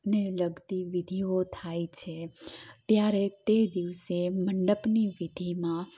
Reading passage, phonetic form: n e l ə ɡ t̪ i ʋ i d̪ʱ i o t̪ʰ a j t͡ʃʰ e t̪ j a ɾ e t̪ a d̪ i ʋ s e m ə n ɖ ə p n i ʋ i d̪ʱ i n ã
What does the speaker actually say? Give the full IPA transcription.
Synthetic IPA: n e l ə ɡ t̪ i ʋ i d̪ʱ i o t̪ʰ a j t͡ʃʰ e t̪ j a ɾ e t̪ e d̪ i ʋ s e m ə ɳ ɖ ə p n i ʋ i d̪ʱ i m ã